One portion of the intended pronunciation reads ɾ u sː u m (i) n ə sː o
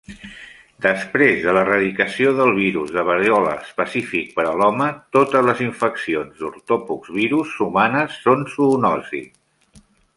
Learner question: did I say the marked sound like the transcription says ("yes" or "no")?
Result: no